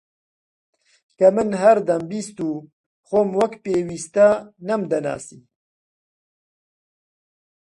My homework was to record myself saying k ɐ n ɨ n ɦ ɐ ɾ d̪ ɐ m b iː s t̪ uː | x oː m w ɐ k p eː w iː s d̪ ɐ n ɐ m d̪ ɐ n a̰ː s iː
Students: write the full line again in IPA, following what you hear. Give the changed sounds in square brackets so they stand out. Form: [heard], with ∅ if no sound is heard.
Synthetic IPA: k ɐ [m] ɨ n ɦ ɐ ɾ d̪ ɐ m b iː s t̪ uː | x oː m w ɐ k p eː w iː s [t̪] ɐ n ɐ m d̪ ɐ n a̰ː s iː